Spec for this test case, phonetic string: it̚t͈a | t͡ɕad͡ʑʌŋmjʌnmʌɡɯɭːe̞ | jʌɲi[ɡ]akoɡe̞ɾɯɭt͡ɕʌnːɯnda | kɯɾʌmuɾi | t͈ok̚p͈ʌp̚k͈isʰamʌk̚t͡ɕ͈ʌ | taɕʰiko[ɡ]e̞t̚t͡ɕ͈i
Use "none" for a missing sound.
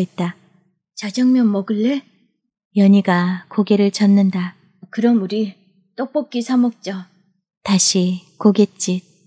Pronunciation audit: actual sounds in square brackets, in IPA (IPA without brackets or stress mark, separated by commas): ɡ, ɡ